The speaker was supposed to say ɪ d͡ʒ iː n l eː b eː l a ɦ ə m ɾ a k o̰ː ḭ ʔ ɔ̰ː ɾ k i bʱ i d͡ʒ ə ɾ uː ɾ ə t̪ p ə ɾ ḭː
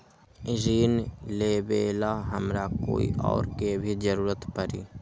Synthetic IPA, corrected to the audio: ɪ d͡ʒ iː n l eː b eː l a ɦ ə m ɾ a k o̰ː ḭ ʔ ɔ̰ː ɾ k e bʱ i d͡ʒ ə ɾ uː ɾ ə t̪ p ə ɾ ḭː